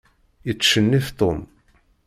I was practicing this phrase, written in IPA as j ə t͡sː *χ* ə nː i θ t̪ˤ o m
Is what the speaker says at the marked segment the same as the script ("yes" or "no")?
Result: no